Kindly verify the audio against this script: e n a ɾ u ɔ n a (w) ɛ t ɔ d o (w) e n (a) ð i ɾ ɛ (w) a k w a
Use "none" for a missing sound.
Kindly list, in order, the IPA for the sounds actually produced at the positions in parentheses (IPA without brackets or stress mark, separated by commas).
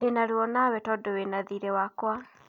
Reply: w, w, a, w